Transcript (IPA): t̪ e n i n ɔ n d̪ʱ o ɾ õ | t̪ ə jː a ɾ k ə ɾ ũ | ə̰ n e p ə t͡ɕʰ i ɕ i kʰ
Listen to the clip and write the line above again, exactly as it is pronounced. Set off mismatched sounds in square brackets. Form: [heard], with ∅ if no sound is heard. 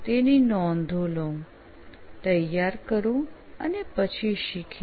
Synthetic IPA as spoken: t̪ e n i n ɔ n d̪ʱ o [l] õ | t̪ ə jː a ɾ k ə ɾ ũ | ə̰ n e p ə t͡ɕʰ i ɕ i kʰ